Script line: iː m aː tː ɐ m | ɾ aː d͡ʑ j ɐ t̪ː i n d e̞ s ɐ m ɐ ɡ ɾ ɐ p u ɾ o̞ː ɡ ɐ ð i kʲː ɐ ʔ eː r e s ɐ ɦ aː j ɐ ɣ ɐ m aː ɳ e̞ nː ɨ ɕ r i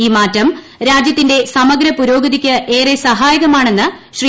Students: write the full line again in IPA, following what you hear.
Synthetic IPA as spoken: iː m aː tː ɐ m | ɾ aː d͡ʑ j ɐ t̪ː i n d e̞ s ɐ m ɐ ɡ ɾ ɐ p u ɾ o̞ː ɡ ɐ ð i kʲː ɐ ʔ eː r e s ɐ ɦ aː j ɐ ɣ ɐ m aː ɳ e̞ nː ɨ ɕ r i